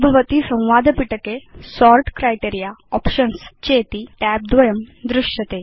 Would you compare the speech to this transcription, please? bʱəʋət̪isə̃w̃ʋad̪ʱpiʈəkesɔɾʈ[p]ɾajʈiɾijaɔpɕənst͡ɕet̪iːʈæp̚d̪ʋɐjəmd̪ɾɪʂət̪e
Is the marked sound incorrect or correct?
incorrect